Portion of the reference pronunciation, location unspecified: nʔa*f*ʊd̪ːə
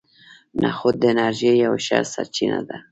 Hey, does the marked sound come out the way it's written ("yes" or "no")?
no